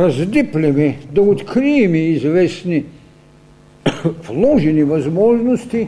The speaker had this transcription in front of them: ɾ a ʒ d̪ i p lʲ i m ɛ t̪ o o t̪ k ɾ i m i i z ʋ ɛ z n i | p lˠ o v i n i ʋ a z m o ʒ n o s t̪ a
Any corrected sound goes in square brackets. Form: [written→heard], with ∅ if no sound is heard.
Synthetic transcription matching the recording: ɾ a [ʒ→z] d̪ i p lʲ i m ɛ [t̪→d̪] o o t̪ k ɾ i m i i z ʋ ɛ [z→s] n i | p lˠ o [v→ʒ] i n i ʋ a z m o ʒ n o s t̪ [a→i]